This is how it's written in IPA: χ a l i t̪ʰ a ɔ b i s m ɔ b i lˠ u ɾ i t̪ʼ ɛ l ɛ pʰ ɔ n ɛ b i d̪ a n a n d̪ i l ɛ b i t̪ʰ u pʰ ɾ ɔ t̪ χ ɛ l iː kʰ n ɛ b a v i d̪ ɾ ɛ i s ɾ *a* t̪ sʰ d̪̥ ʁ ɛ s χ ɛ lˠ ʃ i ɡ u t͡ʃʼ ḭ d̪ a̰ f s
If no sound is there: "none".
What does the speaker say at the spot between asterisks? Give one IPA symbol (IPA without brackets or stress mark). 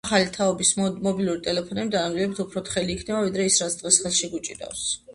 a